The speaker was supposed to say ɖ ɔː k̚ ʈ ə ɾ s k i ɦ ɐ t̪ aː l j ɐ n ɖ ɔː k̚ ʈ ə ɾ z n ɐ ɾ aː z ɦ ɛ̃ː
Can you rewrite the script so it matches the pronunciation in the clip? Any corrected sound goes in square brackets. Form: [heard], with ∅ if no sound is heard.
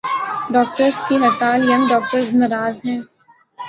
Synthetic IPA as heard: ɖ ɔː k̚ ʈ ə ɾ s k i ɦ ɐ t̪ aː l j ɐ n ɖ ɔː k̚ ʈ ə ɾ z n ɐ ɾ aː z ɦ ɛ̃ː